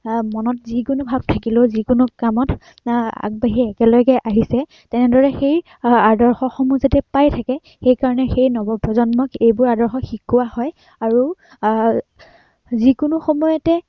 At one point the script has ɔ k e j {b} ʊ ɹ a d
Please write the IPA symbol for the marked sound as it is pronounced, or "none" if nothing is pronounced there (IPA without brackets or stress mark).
b